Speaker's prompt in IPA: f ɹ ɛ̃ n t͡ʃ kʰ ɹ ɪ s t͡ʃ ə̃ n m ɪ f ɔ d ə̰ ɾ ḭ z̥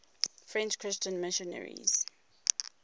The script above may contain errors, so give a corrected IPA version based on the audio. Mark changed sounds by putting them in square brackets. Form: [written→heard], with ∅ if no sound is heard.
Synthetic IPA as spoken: f ɹ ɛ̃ n t͡ʃ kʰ ɹ ɪ s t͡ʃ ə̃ n m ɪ [f→ʃ] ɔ [d→n] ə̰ [ɾ→ɹ] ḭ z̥